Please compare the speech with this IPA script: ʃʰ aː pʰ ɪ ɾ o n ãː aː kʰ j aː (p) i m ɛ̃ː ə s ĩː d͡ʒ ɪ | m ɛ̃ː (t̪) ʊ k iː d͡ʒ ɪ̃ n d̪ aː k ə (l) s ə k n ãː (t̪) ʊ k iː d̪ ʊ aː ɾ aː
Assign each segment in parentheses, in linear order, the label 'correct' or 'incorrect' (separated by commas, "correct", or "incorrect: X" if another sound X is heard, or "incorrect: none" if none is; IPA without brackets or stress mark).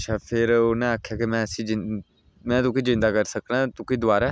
incorrect: k, correct, incorrect: ɾ, correct